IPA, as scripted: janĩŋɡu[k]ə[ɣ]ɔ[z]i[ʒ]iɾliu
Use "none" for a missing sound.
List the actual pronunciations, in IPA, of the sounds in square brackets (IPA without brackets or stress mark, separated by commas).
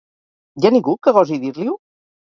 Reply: k, ɣ, z, ð